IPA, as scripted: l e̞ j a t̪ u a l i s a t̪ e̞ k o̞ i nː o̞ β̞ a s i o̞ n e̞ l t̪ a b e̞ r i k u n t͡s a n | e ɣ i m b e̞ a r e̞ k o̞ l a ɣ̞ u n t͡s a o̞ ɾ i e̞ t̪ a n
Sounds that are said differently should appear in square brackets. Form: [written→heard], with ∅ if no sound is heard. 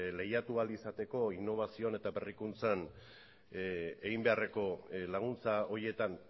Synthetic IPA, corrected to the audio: l e̞ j a t̪ u a l i s a t̪ e̞ k o̞ i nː o̞ β̞ a s i o̞ n e̞ [l→∅] t̪ a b e̞ r i k u n t͡s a n | e ɣ i m b e̞ a r e̞ k o̞ l a ɣ̞ u n t͡s a o̞ ɾ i e̞ t̪ a n